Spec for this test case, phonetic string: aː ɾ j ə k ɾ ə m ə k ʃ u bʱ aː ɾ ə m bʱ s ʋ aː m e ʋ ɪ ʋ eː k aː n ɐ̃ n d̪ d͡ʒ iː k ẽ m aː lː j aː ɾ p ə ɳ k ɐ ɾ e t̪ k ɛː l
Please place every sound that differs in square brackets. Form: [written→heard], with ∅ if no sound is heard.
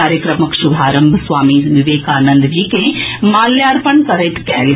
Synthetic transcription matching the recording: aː ɾ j ə k ɾ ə m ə k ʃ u bʱ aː ɾ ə m bʱ s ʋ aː m [e→i] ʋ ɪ ʋ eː k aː n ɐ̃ n d̪ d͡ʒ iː k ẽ m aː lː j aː ɾ p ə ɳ k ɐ ɾ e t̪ k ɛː l